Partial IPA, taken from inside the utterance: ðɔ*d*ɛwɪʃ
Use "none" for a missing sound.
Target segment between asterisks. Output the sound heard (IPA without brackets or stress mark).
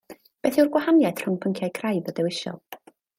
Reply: d